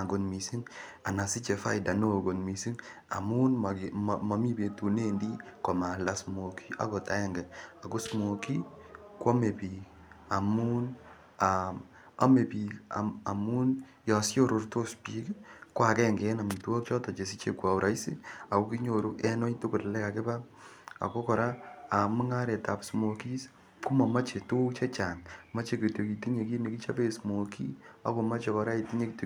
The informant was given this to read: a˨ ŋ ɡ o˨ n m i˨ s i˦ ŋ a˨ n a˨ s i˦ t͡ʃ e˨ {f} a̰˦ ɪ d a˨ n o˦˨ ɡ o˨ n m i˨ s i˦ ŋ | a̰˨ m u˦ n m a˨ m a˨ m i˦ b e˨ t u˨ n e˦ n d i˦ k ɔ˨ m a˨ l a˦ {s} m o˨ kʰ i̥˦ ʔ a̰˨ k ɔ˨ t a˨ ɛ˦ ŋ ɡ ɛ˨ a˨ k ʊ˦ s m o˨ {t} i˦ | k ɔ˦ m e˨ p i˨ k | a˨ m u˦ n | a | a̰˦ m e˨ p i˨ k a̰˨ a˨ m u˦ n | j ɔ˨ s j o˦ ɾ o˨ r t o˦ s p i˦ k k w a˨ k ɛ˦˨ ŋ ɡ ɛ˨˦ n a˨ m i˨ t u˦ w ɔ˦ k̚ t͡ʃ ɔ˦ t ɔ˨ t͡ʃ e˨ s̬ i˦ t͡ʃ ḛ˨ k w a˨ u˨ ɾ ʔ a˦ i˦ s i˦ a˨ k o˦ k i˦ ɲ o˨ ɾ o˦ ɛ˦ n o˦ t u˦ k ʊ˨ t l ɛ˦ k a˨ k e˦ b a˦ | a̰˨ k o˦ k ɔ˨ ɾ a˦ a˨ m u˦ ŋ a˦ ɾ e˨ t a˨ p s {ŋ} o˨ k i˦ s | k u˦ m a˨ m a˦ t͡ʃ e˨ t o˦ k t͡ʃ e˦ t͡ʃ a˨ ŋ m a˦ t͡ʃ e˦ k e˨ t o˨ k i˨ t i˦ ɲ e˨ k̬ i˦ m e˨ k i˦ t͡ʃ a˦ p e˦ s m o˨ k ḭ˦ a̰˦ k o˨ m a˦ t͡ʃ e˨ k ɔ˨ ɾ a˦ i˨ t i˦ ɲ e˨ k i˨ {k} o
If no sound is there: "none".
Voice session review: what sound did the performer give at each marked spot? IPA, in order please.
f, s, k, m, t

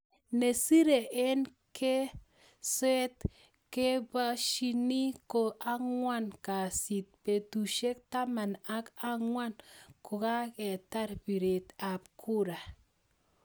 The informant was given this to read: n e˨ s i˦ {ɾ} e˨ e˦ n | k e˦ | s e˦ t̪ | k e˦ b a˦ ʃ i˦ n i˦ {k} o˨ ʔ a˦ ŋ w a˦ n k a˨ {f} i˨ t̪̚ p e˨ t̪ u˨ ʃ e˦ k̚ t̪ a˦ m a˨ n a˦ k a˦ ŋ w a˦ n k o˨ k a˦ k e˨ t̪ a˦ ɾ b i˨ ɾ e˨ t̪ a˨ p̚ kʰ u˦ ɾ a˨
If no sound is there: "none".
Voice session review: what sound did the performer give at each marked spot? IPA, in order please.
ɾ, k, s

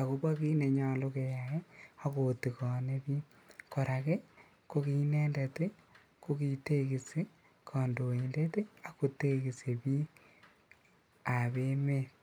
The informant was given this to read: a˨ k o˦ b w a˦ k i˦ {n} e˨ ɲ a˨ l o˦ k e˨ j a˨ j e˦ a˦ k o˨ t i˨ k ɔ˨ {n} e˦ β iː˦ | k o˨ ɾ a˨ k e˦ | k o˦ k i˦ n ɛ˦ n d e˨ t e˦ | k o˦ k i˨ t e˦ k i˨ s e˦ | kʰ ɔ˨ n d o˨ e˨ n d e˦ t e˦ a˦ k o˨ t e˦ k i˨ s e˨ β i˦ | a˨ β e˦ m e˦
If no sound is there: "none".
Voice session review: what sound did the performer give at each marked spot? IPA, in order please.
n, n

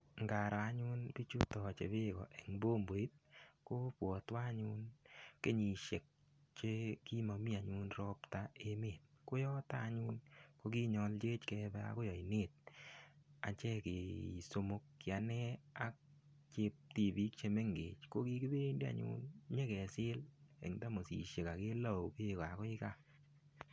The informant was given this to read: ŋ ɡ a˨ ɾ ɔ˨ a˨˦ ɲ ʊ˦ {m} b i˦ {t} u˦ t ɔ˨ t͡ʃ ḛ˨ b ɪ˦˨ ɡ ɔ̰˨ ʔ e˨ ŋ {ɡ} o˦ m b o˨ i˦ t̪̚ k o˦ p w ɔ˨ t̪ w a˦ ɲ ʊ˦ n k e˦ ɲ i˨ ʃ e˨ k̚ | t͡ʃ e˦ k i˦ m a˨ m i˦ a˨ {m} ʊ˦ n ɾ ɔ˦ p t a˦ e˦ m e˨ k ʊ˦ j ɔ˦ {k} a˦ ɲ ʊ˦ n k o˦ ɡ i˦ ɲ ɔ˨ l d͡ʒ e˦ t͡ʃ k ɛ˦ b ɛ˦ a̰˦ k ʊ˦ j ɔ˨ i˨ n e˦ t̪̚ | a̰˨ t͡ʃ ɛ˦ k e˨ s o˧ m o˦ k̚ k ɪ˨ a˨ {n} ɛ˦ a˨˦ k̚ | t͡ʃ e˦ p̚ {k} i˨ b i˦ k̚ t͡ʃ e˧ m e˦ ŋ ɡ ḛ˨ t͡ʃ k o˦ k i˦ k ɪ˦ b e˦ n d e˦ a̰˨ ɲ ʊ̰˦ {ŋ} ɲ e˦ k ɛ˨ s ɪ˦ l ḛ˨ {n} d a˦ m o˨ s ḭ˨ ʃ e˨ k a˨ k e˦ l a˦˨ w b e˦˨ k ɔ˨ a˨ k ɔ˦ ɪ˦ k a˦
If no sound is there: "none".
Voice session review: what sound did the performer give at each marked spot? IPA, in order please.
n, t͡ʃ, b, ɲ, t, n, t, n, ŋ

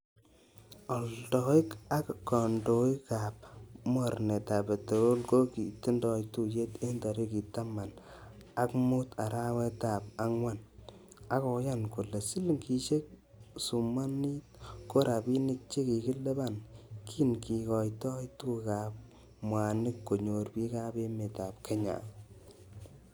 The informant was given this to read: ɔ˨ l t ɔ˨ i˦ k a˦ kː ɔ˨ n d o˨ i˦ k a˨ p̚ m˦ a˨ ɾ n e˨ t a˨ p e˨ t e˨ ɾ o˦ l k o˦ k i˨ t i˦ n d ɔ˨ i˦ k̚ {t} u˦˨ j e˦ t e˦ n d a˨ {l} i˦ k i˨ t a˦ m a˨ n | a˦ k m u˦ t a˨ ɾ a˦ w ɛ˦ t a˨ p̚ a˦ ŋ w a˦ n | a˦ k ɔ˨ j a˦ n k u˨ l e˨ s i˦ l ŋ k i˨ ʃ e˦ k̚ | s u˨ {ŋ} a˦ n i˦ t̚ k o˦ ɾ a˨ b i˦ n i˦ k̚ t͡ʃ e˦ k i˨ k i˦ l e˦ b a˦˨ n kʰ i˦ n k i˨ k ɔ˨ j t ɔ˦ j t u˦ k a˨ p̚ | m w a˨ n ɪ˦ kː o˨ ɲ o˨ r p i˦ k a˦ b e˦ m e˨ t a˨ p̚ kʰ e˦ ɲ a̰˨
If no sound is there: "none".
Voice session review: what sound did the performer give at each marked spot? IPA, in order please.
t, ɾ, m

